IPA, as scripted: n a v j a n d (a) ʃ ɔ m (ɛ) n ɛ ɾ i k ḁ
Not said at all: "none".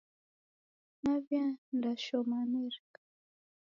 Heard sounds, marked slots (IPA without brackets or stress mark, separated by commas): a, a